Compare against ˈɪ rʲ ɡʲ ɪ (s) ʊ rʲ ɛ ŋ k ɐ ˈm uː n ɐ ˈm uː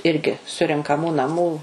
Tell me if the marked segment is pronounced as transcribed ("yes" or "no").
yes